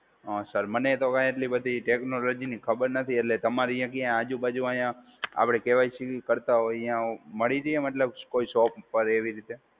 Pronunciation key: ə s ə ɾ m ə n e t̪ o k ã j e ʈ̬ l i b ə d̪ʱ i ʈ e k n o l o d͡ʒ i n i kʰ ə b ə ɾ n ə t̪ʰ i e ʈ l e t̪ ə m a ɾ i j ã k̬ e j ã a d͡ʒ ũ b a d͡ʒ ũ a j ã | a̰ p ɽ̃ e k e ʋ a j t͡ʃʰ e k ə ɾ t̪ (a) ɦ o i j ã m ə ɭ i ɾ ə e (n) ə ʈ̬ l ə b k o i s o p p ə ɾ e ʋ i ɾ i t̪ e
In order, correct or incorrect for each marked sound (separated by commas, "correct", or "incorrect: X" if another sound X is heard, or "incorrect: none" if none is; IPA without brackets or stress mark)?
correct, incorrect: m